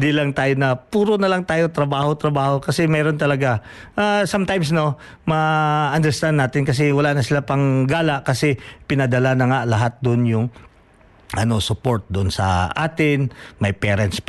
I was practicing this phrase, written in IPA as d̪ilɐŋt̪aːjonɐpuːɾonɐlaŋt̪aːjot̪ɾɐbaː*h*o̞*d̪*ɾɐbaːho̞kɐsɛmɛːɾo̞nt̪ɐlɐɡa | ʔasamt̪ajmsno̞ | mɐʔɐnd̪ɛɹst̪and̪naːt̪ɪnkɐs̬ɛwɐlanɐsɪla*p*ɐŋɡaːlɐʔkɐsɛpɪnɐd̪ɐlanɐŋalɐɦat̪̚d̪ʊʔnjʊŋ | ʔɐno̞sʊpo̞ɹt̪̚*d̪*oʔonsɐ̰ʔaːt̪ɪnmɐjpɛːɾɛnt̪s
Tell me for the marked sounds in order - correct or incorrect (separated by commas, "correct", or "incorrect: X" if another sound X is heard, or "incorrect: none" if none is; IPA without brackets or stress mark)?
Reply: correct, incorrect: t̪, correct, correct